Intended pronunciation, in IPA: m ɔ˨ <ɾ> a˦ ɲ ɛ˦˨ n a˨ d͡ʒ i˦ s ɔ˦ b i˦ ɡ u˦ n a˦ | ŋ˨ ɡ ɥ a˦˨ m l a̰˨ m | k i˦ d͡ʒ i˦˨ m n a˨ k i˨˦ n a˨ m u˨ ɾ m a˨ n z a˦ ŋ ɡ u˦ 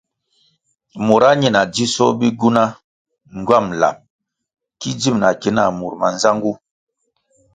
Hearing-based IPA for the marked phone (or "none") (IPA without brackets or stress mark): ɾ